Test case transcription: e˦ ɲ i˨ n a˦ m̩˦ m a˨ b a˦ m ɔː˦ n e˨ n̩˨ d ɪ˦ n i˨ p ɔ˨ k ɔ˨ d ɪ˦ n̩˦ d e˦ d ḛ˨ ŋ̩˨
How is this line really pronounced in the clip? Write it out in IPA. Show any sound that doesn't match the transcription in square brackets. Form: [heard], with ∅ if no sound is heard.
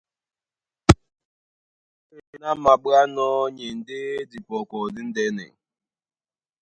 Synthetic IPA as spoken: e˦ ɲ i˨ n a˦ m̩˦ m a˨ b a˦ [n] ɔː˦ [ɲ] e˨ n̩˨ d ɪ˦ [d] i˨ p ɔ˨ k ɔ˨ d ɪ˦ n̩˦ d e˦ [n] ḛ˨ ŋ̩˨